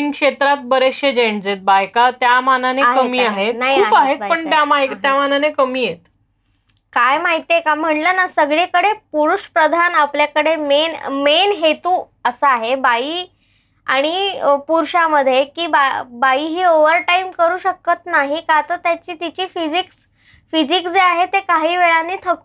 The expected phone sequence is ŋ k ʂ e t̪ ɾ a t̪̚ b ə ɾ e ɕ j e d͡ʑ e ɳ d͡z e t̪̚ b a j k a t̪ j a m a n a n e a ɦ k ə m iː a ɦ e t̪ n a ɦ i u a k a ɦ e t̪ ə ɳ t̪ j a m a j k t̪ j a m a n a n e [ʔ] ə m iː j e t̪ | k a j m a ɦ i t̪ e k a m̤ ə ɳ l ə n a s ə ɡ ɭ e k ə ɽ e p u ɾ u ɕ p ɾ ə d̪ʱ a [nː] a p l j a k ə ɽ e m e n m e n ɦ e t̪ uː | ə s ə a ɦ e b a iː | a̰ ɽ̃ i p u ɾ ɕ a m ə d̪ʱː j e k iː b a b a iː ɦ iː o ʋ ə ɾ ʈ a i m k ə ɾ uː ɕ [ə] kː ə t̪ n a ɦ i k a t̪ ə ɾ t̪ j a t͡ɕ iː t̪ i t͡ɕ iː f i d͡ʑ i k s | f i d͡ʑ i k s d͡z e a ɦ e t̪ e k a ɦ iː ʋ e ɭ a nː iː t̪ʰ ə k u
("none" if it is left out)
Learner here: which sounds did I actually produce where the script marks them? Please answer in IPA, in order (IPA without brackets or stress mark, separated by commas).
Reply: k, n, ə